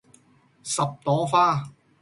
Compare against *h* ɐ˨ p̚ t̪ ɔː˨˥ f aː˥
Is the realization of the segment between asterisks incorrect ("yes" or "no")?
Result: yes